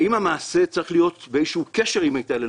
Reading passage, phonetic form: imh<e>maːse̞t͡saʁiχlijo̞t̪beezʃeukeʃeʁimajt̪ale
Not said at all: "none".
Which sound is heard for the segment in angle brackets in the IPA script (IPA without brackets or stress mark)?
a